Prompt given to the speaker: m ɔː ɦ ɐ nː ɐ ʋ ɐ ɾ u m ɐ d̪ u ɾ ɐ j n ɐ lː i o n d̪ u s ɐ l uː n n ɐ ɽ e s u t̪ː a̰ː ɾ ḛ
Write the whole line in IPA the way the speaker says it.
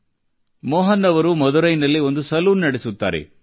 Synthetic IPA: m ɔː ɦ ɐ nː ɐ ʋ ɐ ɾ u m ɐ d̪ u ɾ ɐ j n ɐ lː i o n d̪ u s ɐ l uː n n ɐ ɽ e s u t̪ː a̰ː ɾ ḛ